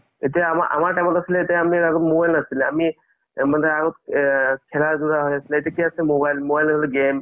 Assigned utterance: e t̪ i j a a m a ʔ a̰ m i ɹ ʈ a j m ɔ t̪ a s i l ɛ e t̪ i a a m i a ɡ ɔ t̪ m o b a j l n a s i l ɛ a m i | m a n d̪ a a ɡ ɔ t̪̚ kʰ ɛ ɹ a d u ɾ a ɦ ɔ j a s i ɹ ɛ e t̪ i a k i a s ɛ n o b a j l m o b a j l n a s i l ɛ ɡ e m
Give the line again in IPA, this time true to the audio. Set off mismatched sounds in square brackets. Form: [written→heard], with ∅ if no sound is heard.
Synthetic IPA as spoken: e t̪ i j a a m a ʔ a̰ m [i→a] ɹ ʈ a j m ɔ t̪ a s i l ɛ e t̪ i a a m i a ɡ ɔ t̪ m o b a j l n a s i l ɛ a m i | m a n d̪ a a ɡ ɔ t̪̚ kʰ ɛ [ɹ→l] a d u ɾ a ɦ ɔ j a s i [ɹ→l] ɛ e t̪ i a k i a s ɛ [n→m] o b a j l m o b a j l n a s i l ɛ ɡ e m